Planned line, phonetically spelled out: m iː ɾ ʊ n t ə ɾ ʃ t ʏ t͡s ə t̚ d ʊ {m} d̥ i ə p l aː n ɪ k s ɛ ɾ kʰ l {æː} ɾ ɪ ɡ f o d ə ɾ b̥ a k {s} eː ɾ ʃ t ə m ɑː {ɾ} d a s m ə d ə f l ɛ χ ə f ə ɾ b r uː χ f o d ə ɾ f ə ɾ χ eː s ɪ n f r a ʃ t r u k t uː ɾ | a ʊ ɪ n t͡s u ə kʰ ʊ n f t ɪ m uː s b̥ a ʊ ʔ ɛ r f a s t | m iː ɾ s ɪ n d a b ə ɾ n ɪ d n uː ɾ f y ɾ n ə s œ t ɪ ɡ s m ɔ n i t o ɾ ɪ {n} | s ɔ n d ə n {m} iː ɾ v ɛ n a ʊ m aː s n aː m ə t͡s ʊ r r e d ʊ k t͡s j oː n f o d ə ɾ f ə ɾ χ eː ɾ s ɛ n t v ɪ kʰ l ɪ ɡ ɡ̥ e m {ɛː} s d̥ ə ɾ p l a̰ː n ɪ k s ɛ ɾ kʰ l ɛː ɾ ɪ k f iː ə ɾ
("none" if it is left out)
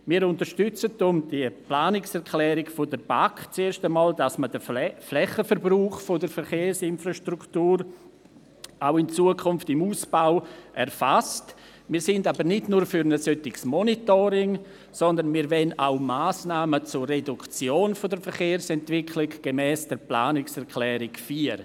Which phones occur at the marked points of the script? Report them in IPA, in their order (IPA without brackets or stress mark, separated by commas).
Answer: m, ɛː, t͡s, l, ŋ, m, ɛː